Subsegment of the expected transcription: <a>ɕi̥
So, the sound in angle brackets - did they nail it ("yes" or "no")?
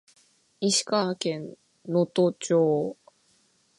no